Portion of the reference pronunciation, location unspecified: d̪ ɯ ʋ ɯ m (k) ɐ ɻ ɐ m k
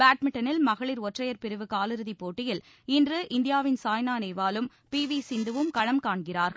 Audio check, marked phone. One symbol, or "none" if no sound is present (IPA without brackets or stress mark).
k